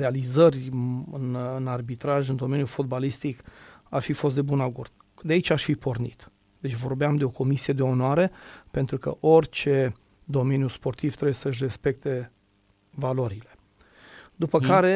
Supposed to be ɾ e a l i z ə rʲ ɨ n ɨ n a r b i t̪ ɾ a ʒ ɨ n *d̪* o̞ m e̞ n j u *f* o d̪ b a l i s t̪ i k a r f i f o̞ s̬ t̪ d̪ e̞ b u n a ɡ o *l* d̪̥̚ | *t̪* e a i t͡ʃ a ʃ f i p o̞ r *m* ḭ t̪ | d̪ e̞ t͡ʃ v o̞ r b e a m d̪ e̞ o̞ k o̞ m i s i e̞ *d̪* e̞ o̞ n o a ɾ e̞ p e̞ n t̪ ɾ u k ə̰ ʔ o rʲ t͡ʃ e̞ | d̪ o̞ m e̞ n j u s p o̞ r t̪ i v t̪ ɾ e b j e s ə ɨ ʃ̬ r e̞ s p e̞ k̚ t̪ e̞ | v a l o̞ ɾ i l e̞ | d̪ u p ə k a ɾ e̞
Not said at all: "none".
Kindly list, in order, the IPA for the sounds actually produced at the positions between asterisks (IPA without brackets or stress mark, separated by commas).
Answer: d̪, f, r, d̪, n, d̪